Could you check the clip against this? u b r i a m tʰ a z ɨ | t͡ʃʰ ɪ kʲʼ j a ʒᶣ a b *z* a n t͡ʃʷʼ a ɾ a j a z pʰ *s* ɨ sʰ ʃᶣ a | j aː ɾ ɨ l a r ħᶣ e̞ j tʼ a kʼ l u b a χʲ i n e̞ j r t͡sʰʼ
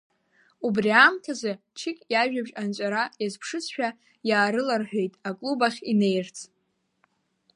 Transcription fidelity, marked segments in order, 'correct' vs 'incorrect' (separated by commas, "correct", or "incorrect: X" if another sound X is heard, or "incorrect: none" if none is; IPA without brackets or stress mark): incorrect: ʒ, incorrect: ʂ